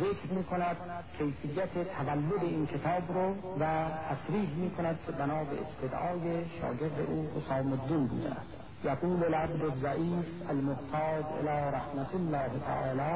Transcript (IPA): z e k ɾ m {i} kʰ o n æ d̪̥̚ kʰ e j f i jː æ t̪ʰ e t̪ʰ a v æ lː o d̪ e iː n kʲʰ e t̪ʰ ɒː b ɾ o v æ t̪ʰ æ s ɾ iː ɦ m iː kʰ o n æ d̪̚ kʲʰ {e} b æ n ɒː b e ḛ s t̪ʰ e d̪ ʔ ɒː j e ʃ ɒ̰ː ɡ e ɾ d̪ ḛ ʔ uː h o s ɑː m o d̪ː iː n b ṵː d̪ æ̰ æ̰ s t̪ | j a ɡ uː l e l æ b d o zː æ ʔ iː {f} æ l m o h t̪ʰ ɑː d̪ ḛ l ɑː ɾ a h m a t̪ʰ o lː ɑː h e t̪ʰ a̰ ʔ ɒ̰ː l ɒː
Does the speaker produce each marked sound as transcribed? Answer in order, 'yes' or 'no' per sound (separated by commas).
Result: no, yes, yes